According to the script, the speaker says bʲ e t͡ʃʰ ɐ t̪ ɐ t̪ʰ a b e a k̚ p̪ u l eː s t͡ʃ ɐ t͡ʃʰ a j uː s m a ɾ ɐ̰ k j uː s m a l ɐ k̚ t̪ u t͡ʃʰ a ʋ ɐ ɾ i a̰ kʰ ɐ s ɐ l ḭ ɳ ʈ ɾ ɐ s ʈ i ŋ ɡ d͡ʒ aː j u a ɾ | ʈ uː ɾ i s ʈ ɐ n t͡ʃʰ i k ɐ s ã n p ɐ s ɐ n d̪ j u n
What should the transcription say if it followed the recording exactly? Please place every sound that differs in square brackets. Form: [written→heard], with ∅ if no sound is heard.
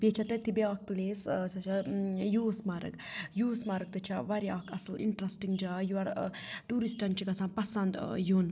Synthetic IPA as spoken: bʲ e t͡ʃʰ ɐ t̪ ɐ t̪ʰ [a→i] b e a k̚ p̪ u l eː s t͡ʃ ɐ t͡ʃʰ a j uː s m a ɾ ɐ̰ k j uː s m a [l→ɾ] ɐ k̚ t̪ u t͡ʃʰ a ʋ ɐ ɾ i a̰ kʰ ɐ s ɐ l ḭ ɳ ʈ ɾ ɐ s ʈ i ŋ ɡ d͡ʒ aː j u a ɾ | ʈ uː ɾ i s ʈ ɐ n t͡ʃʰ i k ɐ s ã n p ɐ s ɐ n d̪ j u n